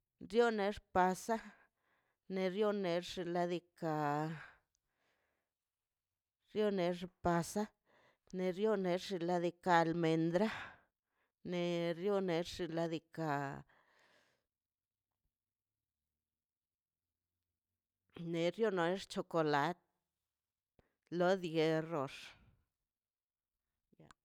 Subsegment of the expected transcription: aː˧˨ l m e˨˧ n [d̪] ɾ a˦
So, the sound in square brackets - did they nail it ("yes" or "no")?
yes